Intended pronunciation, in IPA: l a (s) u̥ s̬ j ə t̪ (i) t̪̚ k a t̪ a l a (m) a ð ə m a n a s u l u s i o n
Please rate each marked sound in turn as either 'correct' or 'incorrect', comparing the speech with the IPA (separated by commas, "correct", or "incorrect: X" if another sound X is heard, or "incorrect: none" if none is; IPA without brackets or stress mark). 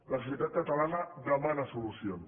correct, incorrect: a, incorrect: n